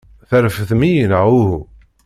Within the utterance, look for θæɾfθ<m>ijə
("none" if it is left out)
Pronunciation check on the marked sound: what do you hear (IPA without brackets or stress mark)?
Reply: m